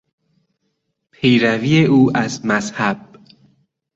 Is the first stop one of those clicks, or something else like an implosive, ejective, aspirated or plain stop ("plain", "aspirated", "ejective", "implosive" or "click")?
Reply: aspirated